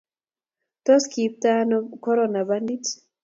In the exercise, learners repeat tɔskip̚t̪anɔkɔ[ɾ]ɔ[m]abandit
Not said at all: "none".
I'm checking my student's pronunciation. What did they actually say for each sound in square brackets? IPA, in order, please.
ɾ, n

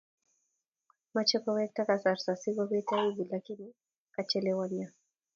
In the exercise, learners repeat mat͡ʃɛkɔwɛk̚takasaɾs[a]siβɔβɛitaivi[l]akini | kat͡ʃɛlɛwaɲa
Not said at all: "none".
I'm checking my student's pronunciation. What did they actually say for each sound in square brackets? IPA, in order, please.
a, l

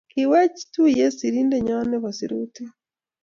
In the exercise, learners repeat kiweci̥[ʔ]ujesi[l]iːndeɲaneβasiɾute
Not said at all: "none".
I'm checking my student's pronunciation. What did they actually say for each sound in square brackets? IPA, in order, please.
t, ɾ

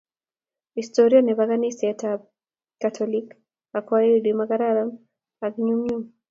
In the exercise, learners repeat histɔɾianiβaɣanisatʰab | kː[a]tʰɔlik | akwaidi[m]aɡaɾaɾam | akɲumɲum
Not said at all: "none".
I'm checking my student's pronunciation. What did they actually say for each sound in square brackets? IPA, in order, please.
a, m

